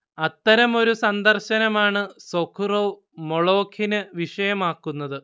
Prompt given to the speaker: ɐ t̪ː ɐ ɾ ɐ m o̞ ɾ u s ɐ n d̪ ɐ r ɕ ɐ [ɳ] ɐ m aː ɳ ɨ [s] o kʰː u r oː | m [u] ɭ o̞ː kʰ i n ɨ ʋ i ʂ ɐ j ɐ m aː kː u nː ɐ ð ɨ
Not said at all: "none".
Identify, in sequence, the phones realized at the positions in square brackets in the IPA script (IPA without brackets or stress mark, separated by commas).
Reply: n, s, o